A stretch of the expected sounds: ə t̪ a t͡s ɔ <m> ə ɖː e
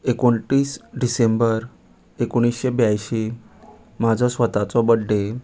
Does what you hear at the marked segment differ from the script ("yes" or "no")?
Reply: yes